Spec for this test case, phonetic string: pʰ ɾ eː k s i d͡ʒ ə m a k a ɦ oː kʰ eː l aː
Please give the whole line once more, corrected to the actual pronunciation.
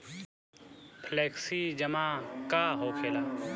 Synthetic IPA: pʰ l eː k s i d͡ʒ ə m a k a ɦ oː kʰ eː l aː

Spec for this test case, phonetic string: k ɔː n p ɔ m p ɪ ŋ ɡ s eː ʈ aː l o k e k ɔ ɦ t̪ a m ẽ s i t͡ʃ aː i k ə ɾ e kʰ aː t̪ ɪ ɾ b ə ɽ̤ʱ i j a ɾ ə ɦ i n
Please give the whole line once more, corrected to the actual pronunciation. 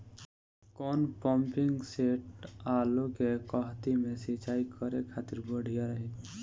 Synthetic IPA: k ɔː n p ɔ m p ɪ ŋ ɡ s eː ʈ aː l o k e k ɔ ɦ t̪ i m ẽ s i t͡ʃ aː i k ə ɾ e kʰ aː t̪ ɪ ɾ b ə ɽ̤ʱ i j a ɾ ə ɦ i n

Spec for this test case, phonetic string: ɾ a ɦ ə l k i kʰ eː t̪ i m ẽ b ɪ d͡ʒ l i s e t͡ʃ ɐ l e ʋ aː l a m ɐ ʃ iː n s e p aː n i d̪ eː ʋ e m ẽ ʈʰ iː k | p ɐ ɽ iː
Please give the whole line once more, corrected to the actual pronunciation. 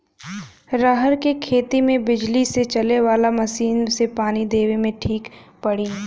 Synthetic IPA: ɾ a ɦ ə ɾ k e kʰ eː t̪ i m ẽ b ɪ d͡ʒ l i s e t͡ʃ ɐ l e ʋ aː l a m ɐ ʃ iː n s e p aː n i d̪ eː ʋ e m ẽ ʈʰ iː k | p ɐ ɽ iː

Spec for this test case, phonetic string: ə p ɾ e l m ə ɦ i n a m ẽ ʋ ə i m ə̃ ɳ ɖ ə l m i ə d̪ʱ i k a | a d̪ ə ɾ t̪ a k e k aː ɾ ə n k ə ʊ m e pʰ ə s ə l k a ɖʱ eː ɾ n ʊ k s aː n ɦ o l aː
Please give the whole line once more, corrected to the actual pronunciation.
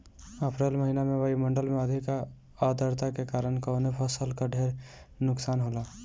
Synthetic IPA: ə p ɾ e l m ə ɦ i n a m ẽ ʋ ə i m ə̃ ɳ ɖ ə l m e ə d̪ʱ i k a | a d̪ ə ɾ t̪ a k e k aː ɾ ə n k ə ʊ n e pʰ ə s ə l k a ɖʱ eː ɾ n ʊ k s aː n ɦ o l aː

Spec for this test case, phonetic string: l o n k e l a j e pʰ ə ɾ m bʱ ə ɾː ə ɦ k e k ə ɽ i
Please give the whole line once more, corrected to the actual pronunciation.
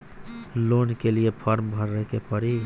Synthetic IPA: l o n k e l i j e pʰ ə ɾ m bʱ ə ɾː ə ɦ k e p ə ɾ i

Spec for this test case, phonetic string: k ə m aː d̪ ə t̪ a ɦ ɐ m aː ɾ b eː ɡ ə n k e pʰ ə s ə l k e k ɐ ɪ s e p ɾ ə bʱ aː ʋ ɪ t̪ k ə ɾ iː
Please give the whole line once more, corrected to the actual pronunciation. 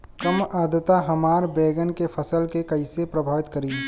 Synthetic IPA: k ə m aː d̪ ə t̪ a ɦ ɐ m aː ɾ b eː ɡ ə n k e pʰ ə s ə l k e k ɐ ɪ s e p ɾ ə bʱ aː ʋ ɪ t̪ k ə ɾ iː

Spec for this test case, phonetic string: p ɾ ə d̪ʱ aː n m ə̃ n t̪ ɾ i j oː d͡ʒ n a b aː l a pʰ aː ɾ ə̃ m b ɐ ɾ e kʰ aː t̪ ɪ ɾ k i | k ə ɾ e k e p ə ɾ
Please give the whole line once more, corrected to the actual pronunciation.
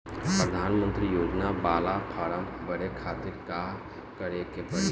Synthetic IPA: p ɾ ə d̪ʱ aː n m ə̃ n t̪ ɾ i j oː d͡ʒ n a b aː l a pʰ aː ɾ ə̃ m b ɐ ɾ e kʰ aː t̪ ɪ ɾ k a | k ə ɾ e k e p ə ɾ

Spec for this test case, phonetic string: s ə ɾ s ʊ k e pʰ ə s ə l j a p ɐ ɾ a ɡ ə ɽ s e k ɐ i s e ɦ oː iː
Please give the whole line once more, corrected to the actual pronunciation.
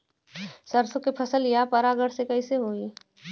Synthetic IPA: s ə ɾ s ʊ k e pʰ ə s ə l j a p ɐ ɾ a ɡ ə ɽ s e k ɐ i s e ɦ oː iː

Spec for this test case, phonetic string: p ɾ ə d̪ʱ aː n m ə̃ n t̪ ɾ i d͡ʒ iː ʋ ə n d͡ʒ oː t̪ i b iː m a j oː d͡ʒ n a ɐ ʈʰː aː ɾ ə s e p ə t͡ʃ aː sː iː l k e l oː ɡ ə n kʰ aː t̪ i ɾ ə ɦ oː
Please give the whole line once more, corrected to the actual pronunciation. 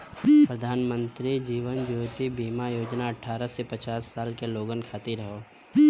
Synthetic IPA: p ɾ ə d̪ʱ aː n m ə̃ n t̪ ɾ i d͡ʒ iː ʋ ə n d͡ʒ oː t̪ i b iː m a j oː d͡ʒ n a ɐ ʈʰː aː ɾ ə s e p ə t͡ʃ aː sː aː l k e l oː ɡ ə n kʰ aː t̪ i ɾ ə ɦ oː

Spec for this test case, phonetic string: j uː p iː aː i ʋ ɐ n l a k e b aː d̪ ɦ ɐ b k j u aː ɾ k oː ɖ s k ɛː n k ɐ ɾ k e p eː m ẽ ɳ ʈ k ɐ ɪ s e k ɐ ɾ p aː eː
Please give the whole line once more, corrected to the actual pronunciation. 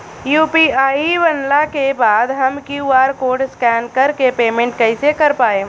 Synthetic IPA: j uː p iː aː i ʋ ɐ n l a k e b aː d̪ ɦ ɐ m k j u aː ɾ k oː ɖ s k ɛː n k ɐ ɾ k e p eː m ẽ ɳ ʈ k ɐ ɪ s e k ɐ ɾ p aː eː

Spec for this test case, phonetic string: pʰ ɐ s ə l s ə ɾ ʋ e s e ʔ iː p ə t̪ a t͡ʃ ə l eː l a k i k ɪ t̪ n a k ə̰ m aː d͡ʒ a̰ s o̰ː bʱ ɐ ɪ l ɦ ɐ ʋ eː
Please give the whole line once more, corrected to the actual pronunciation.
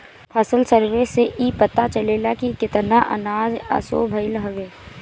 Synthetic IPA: pʰ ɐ s ə l s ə ɾ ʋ e s e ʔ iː p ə t̪ a t͡ʃ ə l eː l a k i k ɪ t̪ n a ʔ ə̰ n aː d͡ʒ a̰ s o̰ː bʱ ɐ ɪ l ɦ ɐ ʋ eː

